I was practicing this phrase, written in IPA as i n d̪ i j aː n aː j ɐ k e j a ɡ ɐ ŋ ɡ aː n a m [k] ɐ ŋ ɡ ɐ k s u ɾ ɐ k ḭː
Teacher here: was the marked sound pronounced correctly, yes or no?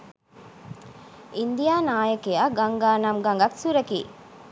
no